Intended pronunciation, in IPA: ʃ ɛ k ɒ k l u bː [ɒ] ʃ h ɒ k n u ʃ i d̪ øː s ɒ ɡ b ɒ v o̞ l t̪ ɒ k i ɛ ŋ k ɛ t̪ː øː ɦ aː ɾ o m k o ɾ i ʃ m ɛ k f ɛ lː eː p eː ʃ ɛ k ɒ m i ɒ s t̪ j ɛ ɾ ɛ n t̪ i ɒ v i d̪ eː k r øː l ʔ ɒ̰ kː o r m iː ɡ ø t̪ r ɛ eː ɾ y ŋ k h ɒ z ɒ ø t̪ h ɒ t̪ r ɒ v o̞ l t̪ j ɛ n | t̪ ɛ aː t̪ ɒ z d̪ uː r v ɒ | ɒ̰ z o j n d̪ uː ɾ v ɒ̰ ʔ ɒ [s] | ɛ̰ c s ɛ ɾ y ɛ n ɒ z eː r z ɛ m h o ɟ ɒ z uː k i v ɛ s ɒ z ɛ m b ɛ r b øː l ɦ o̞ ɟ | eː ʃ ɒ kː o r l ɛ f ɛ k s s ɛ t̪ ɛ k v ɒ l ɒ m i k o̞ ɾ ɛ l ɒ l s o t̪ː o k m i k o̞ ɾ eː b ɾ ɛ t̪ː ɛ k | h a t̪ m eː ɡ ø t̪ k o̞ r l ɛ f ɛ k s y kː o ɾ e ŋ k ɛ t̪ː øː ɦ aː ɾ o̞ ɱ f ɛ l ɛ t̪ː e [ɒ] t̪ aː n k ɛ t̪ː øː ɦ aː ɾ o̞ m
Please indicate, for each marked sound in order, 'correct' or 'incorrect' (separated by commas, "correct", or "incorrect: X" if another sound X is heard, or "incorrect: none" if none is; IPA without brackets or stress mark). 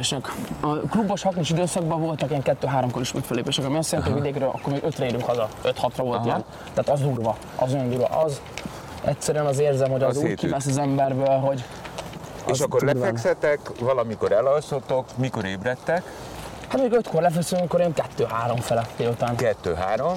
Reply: incorrect: o, incorrect: z, incorrect: u